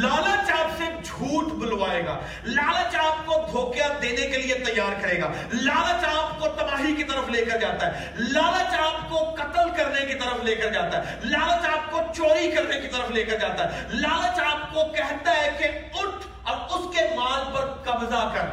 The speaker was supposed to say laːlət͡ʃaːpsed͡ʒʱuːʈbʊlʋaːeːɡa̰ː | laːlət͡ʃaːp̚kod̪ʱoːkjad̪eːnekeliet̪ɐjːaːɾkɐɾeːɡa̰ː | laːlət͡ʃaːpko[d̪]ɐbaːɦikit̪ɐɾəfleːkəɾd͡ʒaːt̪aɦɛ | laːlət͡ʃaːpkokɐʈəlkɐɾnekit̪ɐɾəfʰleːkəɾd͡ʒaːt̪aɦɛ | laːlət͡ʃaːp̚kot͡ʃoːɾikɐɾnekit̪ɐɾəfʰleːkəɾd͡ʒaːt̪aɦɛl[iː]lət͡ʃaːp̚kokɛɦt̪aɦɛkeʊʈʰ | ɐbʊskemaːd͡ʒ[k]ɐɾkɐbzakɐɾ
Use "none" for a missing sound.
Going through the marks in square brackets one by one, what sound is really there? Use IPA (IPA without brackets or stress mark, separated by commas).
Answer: t̪, aː, p